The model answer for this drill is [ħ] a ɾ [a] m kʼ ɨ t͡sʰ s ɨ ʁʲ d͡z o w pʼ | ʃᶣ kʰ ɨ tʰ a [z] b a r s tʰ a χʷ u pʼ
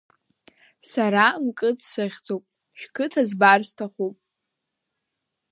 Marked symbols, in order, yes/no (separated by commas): no, yes, yes